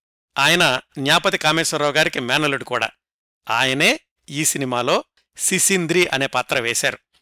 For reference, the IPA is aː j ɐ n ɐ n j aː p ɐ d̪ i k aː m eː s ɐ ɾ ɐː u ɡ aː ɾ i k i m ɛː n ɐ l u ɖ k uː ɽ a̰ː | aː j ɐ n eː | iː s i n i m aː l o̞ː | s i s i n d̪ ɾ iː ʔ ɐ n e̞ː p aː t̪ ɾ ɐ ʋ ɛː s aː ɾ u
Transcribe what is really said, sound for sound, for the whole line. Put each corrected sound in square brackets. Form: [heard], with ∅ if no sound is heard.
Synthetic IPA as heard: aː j ɐ n ɐ n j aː p ɐ [t̪] i k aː m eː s ɐ ɾ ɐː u ɡ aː ɾ i k i m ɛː n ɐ l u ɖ k uː ɽ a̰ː | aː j ɐ n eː | iː s i n i m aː l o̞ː | s i s i n d̪ ɾ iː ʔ ɐ n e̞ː p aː t̪ ɾ ɐ ʋ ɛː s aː ɾ u